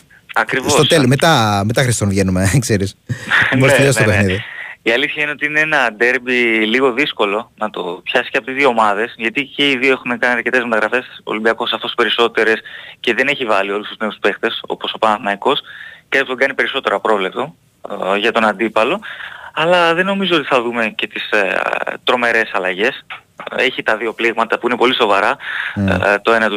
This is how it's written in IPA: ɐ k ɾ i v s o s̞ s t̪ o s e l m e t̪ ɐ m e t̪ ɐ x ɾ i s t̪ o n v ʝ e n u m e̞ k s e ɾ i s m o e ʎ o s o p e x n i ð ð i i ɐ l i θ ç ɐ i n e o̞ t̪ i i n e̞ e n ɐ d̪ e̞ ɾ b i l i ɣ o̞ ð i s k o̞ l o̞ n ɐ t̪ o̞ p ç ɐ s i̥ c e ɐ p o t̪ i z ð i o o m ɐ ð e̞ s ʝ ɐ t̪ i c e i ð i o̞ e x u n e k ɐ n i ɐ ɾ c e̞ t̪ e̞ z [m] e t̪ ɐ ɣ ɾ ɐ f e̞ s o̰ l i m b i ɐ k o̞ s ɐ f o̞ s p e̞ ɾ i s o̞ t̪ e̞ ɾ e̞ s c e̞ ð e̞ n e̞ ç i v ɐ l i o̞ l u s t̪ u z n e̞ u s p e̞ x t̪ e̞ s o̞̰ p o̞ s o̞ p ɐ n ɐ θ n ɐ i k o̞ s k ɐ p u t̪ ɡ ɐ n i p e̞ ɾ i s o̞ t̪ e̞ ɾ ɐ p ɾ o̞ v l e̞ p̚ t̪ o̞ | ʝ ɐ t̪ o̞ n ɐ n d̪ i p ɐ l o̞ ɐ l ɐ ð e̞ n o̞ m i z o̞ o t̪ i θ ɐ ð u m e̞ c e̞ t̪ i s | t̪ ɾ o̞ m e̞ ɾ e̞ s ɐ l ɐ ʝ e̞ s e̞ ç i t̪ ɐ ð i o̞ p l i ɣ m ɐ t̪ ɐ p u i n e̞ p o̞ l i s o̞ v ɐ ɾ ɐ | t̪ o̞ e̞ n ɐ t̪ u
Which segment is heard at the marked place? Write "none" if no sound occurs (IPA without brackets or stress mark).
m